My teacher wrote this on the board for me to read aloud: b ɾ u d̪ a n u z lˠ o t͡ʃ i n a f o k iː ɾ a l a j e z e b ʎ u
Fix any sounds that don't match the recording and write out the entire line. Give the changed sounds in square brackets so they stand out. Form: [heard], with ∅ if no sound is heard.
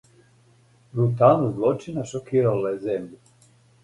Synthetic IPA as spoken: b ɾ u [t̪] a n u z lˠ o t͡ʃ i n a [ʃ] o k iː ɾ a l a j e z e [m] ʎ u